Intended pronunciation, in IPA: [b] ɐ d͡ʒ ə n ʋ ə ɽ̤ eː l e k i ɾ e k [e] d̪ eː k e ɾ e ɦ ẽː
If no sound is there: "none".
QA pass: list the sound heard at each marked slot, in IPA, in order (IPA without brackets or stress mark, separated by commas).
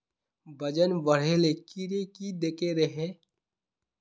b, i